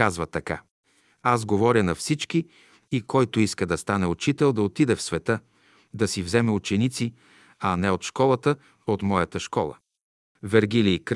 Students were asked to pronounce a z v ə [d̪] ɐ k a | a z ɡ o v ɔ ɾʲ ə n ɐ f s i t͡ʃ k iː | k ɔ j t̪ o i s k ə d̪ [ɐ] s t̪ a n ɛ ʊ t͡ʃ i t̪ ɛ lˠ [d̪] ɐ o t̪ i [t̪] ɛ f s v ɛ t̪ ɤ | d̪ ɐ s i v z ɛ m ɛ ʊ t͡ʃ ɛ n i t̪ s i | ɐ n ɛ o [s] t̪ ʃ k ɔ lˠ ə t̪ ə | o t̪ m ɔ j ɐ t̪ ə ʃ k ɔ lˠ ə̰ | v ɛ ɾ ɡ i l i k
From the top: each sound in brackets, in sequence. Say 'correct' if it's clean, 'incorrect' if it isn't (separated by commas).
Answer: incorrect, correct, correct, incorrect, incorrect